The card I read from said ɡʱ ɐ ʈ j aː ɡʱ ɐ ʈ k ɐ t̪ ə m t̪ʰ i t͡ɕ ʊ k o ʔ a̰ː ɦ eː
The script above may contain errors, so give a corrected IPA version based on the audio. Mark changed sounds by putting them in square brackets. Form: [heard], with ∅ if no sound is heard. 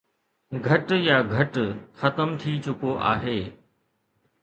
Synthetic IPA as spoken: ɡʱ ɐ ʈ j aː ɡʱ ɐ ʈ [x] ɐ t̪ ə m t̪ʰ i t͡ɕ ʊ k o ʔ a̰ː ɦ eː

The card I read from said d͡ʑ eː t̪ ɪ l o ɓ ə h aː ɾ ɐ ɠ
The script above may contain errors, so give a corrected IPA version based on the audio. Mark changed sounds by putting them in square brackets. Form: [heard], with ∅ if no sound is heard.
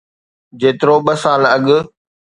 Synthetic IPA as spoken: d͡ʑ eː t̪ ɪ [ɾ] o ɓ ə [s] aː [l] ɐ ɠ

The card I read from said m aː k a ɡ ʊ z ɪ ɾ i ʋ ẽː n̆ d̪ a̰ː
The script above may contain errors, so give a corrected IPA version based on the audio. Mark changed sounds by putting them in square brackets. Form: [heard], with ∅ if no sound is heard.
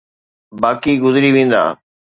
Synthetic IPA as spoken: [b] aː k [i] ɡ ʊ z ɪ ɾ i ʋ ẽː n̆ d̪ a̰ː

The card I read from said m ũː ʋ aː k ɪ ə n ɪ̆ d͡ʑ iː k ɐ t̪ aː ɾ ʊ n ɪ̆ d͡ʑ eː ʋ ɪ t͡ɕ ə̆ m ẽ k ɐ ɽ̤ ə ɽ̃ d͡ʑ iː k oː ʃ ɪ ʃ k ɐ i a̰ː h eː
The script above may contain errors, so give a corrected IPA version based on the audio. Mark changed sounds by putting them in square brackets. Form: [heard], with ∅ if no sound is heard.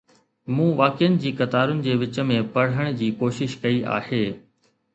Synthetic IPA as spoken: m ũː ʋ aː k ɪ ə n ɪ̆ d͡ʑ iː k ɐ t̪ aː ɾ ʊ n ɪ̆ d͡ʑ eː ʋ ɪ t͡ɕ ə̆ m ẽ [p] ɐ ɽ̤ ə ɽ̃ d͡ʑ iː k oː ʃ ɪ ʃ k ɐ i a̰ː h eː

